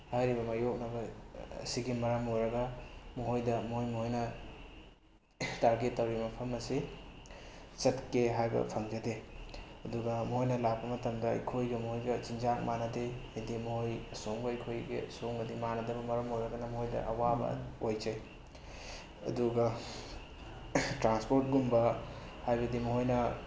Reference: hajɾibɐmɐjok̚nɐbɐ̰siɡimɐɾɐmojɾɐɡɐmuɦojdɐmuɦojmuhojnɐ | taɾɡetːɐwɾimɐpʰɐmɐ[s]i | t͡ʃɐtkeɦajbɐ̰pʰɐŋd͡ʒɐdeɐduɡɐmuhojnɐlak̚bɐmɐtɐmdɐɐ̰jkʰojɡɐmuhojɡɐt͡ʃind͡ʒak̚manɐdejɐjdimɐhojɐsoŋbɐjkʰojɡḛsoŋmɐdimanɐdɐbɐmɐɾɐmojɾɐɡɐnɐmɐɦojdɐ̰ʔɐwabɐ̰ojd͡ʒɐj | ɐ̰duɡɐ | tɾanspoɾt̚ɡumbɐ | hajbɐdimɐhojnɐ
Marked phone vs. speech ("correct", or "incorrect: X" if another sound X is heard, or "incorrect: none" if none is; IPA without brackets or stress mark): correct